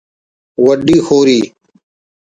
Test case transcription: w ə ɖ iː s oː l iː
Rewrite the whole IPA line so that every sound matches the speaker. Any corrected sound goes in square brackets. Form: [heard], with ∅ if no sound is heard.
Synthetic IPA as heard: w ə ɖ iː [x] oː [ɾ] iː